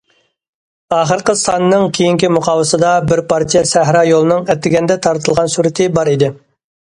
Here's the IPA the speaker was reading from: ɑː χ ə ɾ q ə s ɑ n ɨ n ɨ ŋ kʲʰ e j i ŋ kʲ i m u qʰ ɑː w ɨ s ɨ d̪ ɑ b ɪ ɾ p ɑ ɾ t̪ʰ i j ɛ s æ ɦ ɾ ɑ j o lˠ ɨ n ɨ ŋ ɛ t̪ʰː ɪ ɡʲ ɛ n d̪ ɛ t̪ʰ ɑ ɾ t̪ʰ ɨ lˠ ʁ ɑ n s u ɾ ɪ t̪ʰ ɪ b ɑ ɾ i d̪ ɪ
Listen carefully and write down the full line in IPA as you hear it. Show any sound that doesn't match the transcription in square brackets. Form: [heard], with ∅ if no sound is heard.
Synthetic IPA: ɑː χ ə ɾ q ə s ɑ n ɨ n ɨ ŋ kʲʰ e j i ŋ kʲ i m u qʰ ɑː w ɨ s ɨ d̪ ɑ b ɪ ɾ p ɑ ɾ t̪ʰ i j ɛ s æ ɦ ɾ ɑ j o lˠ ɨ n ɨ ŋ ɛ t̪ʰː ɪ ɡʲ ɛ n d̪ ɛ t̪ʰ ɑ ɾ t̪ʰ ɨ lˠ ʁ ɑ n s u ɾ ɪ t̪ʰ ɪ b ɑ ɾ i d̪ ɪ

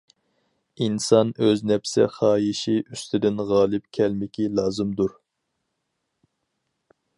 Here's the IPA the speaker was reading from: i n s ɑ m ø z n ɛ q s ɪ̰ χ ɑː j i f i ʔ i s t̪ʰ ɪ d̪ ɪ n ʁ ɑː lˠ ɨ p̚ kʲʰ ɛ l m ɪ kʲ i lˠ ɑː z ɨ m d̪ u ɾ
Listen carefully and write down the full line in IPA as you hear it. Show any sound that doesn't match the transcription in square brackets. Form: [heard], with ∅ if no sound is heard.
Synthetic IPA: i n s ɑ [n] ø z n ɛ [p] s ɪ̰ χ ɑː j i [ʃ] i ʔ [y] s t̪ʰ ɪ d̪ ɪ n ʁ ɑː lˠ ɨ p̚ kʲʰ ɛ l m ɪ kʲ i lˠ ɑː z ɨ m d̪ u ɾ

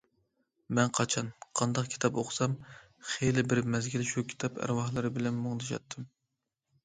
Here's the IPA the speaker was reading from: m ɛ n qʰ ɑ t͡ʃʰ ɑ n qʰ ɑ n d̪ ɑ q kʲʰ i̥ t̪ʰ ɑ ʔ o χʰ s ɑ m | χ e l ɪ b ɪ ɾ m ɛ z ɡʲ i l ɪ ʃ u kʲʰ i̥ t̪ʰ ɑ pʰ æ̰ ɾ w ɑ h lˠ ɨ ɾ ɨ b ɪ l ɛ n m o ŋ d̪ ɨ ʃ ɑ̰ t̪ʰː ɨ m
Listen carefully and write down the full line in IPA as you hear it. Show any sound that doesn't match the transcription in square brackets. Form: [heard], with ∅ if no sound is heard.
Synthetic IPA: m ɛ n qʰ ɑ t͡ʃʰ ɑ n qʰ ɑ n d̪ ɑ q kʲʰ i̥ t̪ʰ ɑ [p] o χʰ s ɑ m | χ e l ɪ b ɪ ɾ m ɛ z ɡʲ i l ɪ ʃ u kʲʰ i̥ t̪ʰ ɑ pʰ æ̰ ɾ w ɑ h lˠ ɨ ɾ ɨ b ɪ l ɛ n m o ŋ d̪ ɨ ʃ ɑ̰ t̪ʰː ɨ m

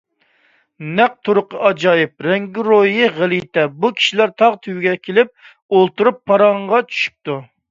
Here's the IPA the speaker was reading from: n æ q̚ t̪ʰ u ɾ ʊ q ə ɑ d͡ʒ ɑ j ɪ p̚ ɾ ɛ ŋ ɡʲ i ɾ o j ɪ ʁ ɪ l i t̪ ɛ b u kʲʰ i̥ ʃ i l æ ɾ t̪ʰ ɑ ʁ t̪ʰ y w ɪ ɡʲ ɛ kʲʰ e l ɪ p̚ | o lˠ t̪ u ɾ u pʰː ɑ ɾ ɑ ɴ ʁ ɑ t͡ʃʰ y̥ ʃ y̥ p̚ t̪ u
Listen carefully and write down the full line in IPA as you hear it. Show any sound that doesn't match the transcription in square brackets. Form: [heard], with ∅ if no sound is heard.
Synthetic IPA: n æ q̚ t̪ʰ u ɾ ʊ q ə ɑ d͡ʒ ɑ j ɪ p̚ ɾ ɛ ŋ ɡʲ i ɾ o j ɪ ʁ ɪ l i t̪ ɛ b u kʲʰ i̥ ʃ i l æ ɾ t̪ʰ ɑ ʁ t̪ʰ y w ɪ ɡʲ ɛ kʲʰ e l ɪ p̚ | o lˠ t̪ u ɾ u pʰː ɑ ɾ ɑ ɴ ʁ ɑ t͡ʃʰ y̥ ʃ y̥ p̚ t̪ u

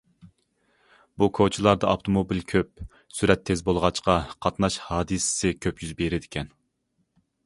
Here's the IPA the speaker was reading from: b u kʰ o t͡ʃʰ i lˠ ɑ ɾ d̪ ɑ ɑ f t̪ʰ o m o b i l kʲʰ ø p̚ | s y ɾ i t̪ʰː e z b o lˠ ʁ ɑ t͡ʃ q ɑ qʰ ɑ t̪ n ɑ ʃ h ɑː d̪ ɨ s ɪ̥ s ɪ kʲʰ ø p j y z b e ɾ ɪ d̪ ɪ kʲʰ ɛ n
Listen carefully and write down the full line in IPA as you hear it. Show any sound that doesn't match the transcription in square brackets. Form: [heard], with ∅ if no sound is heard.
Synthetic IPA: b u kʰ o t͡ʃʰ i lˠ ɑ ɾ d̪ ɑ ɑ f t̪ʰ o m o b i l kʲʰ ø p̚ | s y ɾ [ɛ] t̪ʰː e z b o lˠ ʁ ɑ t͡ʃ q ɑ qʰ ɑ t̪ n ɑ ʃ h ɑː d̪ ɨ s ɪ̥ s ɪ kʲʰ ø p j y z b e ɾ ɪ d̪ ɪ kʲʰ ɛ n

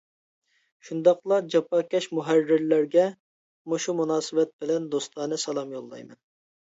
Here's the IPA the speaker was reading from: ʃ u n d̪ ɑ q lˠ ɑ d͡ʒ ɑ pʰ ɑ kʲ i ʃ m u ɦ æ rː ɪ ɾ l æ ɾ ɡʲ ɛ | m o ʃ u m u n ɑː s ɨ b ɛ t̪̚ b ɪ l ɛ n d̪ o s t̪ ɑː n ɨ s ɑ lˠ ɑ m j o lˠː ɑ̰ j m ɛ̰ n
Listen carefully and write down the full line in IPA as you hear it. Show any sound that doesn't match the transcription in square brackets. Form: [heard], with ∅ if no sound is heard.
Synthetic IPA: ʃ u n d̪ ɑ q lˠ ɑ d͡ʒ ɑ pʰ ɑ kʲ [ɛ] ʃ m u ɦ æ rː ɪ ɾ l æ ɾ ɡʲ ɛ | m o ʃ u m u n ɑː s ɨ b ɛ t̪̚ b ɪ l ɛ n d̪ o s t̪ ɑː n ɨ s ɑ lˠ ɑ m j o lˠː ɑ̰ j m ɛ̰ n

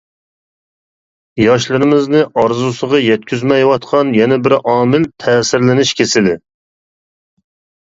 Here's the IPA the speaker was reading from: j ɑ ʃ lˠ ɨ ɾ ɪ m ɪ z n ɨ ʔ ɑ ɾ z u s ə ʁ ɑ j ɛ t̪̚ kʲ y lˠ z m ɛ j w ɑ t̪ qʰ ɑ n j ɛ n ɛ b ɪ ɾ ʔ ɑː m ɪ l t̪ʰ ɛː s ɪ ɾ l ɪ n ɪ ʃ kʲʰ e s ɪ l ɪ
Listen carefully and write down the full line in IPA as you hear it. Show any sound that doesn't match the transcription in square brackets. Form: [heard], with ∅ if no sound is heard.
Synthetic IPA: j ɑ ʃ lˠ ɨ ɾ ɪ m ɪ z n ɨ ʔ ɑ ɾ z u s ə ʁ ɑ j ɛ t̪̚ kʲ y [∅] z m ɛ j w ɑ t̪ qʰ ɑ n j ɛ n ɛ b ɪ ɾ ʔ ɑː m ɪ l t̪ʰ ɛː s ɪ ɾ l ɪ n ɪ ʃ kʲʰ e s ɪ l ɪ

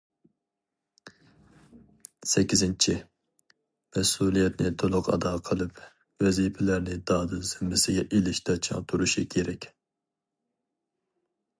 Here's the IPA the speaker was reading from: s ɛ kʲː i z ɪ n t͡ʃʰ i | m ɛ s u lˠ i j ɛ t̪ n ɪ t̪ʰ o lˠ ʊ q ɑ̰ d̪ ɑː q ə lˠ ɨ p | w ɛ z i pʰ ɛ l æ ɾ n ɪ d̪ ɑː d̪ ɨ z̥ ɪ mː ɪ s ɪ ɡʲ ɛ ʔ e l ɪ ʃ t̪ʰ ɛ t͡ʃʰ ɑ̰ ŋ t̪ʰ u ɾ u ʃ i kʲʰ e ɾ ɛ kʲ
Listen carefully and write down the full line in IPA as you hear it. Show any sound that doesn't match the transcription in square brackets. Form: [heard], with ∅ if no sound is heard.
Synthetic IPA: s ɛ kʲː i z ɪ n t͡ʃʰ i | m ɛ s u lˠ i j ɛ t̪ n ɪ t̪ʰ o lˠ ʊ q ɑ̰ d̪ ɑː [qʰ] ə lˠ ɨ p | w ɛ z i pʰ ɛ l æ ɾ n ɪ d̪ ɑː d̪ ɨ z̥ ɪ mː ɪ s ɪ ɡʲ ɛ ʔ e l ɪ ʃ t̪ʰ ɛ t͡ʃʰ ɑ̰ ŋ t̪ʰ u ɾ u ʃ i kʲʰ e ɾ ɛ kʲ

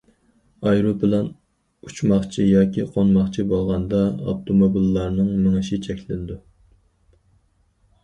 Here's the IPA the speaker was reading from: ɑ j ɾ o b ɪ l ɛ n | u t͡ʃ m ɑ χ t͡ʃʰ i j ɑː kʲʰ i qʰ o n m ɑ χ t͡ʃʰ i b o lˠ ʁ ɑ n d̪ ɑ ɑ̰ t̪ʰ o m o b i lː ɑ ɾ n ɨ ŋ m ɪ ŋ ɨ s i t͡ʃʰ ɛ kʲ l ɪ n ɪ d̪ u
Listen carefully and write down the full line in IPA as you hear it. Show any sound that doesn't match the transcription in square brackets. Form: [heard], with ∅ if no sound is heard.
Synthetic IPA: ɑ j ɾ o b ɪ l ɛ n | u t͡ʃ m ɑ χ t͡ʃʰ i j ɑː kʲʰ i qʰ o n m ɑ χ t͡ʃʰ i b o lˠ ʁ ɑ n d̪ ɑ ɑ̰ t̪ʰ o m o b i lː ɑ ɾ n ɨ ŋ m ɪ ŋ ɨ [ʃ] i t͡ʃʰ ɛ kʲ l ɪ n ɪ d̪ u

